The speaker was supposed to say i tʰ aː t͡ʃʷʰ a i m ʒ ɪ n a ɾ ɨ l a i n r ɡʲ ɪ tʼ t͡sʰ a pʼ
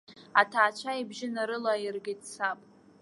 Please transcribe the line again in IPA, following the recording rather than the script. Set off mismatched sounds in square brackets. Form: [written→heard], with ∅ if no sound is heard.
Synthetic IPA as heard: [i→a] tʰ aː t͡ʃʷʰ a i [m→b] ʒ ɪ n a ɾ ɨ l a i [n→∅] r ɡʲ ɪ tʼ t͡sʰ a pʼ

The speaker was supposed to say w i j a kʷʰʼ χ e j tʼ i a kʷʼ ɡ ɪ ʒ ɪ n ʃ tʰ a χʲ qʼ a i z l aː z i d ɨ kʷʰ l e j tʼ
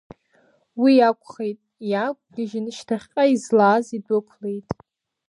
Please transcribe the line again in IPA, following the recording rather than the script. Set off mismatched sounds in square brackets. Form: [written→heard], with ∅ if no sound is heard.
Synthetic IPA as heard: w i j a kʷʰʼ χ e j tʼ [i→j] a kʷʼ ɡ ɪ ʒ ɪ n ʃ tʰ a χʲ qʼ a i z l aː z i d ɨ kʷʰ l e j tʼ

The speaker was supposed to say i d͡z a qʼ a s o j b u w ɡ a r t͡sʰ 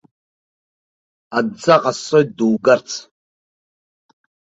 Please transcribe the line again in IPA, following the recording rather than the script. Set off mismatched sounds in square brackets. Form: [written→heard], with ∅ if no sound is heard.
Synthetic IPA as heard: [i→a] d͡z a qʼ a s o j [b→d] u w ɡ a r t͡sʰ

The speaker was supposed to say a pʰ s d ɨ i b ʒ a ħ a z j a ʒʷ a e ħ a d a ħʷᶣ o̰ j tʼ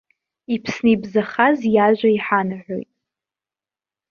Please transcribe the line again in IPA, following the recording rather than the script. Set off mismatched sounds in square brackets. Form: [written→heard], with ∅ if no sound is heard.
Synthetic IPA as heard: [a→i] pʰ s [d→n] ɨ i b [ʒ→z] a [ħ→χ] a z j a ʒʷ a [e→i] ħ a [d→n] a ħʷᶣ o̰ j tʼ

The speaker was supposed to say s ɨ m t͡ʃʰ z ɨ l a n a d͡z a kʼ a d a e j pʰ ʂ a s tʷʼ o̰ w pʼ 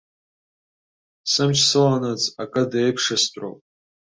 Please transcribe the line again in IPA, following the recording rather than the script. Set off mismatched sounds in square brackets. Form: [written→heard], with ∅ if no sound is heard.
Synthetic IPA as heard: s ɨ m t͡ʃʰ [z→s] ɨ l a n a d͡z a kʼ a d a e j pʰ ʂ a s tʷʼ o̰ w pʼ

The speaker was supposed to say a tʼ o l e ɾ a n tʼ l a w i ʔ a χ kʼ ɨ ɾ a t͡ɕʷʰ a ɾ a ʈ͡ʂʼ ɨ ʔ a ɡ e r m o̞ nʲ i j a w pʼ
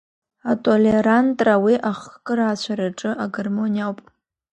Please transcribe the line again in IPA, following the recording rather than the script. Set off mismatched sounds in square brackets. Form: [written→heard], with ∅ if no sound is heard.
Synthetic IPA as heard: a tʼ o l e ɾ a n tʼ [l→r] a w i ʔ a χ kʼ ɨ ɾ a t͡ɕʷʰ a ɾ a ʈ͡ʂʼ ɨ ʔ a ɡ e r m o̞ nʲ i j a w pʼ

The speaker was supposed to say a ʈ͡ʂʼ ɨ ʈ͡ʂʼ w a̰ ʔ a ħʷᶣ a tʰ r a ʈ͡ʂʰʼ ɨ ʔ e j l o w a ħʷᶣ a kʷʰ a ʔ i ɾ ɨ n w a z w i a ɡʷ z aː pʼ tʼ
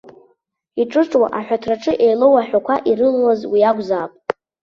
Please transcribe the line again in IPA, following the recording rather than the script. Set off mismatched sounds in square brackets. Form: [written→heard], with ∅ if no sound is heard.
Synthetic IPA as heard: [a→i] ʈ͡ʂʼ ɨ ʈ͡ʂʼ w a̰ ʔ a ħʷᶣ a tʰ r a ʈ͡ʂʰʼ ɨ ʔ e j l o w a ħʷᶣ a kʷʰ a ʔ i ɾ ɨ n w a z w i a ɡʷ z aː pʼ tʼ

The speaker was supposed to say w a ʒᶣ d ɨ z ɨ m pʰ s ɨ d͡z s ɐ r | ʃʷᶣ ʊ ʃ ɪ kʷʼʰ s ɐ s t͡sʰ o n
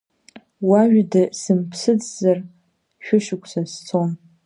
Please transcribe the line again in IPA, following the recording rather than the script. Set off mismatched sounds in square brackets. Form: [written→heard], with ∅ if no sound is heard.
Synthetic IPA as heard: w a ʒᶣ d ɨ [z→s] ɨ m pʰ s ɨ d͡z [s→z] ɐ r | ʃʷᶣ ʊ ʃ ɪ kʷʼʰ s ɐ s t͡sʰ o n

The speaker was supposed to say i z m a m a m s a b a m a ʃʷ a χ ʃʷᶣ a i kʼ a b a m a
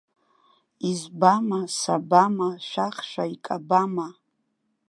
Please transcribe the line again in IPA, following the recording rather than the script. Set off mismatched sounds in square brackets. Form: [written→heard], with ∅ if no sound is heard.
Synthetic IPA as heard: i z [m→b] a m a [m→∅] s a b a m a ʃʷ a χ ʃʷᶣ a i kʼ a b a m a

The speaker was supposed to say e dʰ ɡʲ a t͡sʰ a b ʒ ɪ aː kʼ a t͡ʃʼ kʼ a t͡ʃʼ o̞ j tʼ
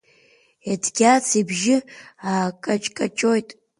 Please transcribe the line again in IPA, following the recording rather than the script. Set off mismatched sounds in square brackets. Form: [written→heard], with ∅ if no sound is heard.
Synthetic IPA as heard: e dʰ ɡʲ a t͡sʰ [a→i] b ʒ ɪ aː kʼ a t͡ʃʼ kʼ a t͡ʃʼ o̞ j tʼ

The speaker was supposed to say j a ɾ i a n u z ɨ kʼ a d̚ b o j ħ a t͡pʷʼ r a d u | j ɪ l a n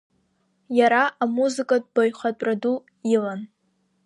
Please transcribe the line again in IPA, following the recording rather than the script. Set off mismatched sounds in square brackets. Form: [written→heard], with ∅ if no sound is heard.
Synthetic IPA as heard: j a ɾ [i→a] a [n→m] u z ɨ kʼ a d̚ b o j [ħ→χ] a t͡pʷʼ r a d u | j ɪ l a n

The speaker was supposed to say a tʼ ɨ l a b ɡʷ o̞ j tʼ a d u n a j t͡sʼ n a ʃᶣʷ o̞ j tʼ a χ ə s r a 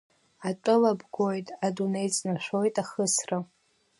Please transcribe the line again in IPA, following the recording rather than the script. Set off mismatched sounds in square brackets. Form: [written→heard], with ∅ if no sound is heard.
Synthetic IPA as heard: a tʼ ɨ l a b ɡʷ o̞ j tʼ a d u n [a→e] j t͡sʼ n a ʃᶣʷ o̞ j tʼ a χ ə s r a

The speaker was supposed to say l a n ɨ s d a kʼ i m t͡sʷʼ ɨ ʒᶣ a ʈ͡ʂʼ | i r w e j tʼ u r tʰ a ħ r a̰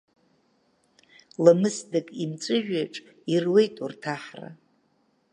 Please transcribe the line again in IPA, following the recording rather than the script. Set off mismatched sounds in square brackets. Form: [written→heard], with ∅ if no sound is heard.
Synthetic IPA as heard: l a [n→m] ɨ s d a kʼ i m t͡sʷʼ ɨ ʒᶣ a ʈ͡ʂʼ | i r w e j tʼ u r tʰ a ħ r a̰

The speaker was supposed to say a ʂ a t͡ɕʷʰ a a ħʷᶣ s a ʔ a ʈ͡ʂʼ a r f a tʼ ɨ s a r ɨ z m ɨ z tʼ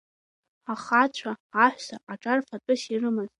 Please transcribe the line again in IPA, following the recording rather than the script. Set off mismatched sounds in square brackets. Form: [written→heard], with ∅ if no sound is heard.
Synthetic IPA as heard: a [ʂ→χ] a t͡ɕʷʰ a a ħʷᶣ s a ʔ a ʈ͡ʂʼ a r f a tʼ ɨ s [a→i] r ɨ [z→∅] m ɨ z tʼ

